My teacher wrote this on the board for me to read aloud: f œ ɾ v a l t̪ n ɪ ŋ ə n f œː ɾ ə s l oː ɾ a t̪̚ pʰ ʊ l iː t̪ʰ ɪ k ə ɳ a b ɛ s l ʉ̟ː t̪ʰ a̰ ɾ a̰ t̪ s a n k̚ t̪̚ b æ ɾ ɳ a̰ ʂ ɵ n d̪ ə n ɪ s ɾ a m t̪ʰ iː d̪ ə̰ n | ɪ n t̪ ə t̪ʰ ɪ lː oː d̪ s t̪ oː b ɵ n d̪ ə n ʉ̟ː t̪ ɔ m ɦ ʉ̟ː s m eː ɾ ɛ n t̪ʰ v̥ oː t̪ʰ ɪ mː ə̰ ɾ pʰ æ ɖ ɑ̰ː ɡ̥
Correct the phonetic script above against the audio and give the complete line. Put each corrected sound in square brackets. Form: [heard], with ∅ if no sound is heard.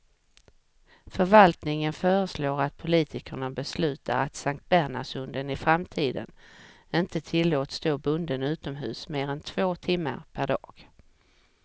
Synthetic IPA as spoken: f œ ɾ v a l t̪ n ɪ ŋ ə n f œː ɾ ə s l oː ɾ a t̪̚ pʰ ʊ l iː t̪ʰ ɪ k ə ɳ a b ɛ s l ʉ̟ː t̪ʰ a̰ ɾ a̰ t̪ s a [ŋ] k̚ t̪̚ b æ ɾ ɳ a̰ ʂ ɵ n d̪ ə n ɪ [f] ɾ a m t̪ʰ iː d̪ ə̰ n | ɪ n t̪ ə t̪ʰ ɪ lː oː [t̪] s t̪ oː b ɵ n d̪ ə n ʉ̟ː t̪ ɔ m ɦ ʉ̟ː s m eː ɾ ɛ n t̪ʰ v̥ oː t̪ʰ ɪ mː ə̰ ɾ pʰ æ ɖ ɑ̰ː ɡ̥

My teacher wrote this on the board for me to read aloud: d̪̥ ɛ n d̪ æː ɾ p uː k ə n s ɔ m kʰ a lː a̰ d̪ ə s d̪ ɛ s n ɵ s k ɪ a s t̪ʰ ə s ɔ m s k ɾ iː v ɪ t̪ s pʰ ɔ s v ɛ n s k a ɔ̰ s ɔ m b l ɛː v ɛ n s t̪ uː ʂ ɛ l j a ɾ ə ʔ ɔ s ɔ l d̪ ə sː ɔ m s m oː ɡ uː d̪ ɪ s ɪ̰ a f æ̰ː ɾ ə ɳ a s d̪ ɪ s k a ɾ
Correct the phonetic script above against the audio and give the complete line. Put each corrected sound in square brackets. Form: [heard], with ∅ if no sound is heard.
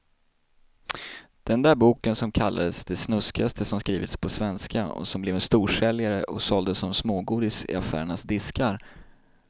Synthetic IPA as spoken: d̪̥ ɛ n d̪ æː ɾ [b] uː k ə n s ɔ m kʰ a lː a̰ d̪ ə s d̪ ɛ s n ɵ s k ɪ a s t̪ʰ ə s ɔ m s k ɾ iː v ɪ t̪ s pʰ ɔ s v ɛ n s k a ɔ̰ s ɔ m b l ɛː v ɛ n s t̪ uː ʂ ɛ l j a ɾ ə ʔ ɔ s ɔ l d̪ ə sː ɔ m s m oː ɡ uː d̪ ɪ s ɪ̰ a f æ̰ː ɾ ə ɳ a s d̪ ɪ s k a ɾ

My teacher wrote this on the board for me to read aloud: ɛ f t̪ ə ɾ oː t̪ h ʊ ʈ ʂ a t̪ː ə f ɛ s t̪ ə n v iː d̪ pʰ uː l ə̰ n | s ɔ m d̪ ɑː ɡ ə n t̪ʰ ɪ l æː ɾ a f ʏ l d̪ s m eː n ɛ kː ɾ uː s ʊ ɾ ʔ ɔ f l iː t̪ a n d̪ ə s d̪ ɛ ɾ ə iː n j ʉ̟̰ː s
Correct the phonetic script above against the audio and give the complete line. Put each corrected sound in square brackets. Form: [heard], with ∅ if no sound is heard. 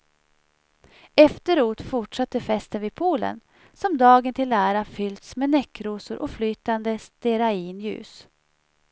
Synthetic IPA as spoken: ɛ f t̪ ə ɾ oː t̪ [f] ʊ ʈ ʂ a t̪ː ə f ɛ s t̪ ə n v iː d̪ pʰ uː l ə̰ n | s ɔ m d̪ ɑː ɡ ə n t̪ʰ ɪ l æː ɾ a f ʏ l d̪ s m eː n ɛ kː ɾ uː s ʊ ɾ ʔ ɔ f l [yː] t̪ a n d̪ ə s [t̪] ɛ ɾ [a] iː n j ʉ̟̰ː s

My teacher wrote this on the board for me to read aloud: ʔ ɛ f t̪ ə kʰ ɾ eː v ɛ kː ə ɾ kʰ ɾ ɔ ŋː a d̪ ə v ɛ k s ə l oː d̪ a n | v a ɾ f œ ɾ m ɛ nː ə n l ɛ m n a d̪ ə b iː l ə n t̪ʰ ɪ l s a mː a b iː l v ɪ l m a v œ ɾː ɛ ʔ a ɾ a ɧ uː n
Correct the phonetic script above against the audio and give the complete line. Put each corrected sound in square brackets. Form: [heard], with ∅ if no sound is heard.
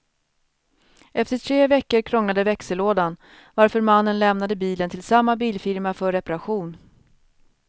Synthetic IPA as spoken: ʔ ɛ f t̪ ə [ʈʰ] ɾ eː v ɛ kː ə ɾ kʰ ɾ ɔ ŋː a d̪ ə v ɛ k s ə l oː d̪ a n | v a ɾ f œ ɾ m [a] nː ə n l ɛ m n a d̪ ə b iː l ə n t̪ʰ ɪ l s a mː a b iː l [f] ɪ [ɾ] m a [f] œ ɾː ɛ [p] a ɾ a ɧ uː n

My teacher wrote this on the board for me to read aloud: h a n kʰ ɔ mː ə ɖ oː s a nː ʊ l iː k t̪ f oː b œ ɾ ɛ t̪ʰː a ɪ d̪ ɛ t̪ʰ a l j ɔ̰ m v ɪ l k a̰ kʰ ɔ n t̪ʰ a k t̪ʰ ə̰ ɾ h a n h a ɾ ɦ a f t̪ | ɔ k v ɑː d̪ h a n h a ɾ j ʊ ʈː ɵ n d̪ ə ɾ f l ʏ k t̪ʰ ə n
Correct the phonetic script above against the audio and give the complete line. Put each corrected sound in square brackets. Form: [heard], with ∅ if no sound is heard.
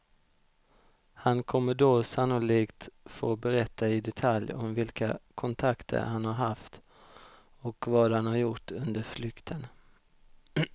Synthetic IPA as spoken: h a n kʰ ɔ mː ə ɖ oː s a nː ʊ l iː k t̪ f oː b [ɛ] ɾ ɛ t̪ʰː a ɪ d̪ ɛ t̪ʰ a l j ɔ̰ m v ɪ l k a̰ kʰ ɔ n t̪ʰ a k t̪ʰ ə̰ ɾ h a n h a ɾ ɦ a f t̪ | ɔ k v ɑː d̪ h a n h a ɾ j ʊ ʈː ɵ n d̪ ə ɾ f l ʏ k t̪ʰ ə n

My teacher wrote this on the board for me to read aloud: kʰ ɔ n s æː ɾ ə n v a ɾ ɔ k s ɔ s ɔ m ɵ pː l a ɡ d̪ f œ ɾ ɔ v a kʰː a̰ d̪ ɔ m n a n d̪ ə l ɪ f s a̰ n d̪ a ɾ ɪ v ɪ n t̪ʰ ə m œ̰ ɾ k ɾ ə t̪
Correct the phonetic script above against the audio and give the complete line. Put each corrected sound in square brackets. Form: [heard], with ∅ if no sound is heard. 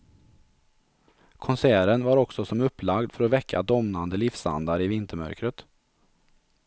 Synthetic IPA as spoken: kʰ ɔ n s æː ɾ ə n v a ɾ ɔ k s ɔ s ɔ m ɵ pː l a ɡ d̪ f œ ɾ ɔ v [ɛ] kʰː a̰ d̪ ɔ m n a n d̪ ə l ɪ f s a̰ n d̪ a ɾ ɪ v ɪ n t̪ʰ ə m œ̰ ɾ k ɾ ə t̪

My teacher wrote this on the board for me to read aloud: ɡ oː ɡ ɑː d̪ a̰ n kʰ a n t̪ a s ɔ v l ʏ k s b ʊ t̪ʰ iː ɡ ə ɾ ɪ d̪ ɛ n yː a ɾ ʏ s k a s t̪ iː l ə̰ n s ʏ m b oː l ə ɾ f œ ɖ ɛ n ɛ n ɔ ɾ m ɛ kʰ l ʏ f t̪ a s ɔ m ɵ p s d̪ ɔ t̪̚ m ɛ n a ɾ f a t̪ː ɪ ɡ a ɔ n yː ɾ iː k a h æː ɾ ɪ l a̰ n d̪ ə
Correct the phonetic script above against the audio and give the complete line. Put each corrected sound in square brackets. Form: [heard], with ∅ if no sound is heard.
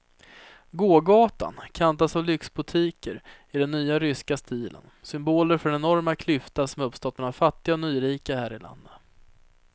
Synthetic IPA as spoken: ɡ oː ɡ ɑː [t̪] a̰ n kʰ a n t̪ a s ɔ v l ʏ k s b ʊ t̪ʰ iː [k] ə ɾ ɪ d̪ ɛ [nː] yː a ɾ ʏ s k a s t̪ iː l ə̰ n s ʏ m b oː l ə ɾ f œ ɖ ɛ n ɛ n ɔ ɾ m [a] kʰ l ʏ f t̪ a s ɔ m ɵ p s [t̪] ɔ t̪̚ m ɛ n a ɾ f a t̪ː ɪ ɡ a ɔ n yː ɾ iː k a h æː ɾ ɪ l a̰ n d̪ ə

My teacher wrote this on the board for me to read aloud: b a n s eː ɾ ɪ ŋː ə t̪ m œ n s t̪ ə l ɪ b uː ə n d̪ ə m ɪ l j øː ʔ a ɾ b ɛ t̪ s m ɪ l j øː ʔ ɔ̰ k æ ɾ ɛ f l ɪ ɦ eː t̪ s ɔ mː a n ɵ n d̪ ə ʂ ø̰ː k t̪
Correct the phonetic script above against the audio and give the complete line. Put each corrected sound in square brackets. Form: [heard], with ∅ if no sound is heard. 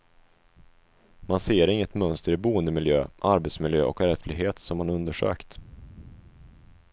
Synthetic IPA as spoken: [m] a n s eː ɾ ɪ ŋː ə t̪ m œ n s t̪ ə [ɾ] ɪ b uː ə n d̪ ə m ɪ l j øː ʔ a ɾ b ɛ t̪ s m ɪ l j øː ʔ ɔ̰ k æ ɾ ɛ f l ɪ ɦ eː t̪ s ɔ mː a n ɵ n d̪ ə ʂ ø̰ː k t̪

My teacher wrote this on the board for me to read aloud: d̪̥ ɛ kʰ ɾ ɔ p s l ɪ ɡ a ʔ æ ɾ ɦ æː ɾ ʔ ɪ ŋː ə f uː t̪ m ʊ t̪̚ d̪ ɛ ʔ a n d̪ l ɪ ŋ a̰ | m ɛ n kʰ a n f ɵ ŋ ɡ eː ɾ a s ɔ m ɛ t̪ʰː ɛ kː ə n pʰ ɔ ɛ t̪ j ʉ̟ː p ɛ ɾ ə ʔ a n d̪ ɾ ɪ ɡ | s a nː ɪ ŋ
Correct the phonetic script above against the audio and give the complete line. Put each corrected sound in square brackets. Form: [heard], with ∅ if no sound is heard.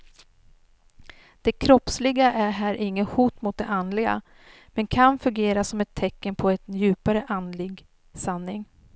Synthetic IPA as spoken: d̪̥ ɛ kʰ ɾ ɔ p s l ɪ ɡ a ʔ æ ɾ ɦ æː ɾ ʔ ɪ ŋː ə [h] uː t̪ m ʊ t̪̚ d̪ ɛ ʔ a n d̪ l ɪ [ɡ] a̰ | m ɛ n kʰ a n f ɵ ŋ ɡ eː ɾ a s ɔ m ɛ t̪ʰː ɛ kː ə n pʰ ɔ ɛ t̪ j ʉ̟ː p [a] ɾ ə ʔ a n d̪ [l] ɪ ɡ | s a nː ɪ ŋ

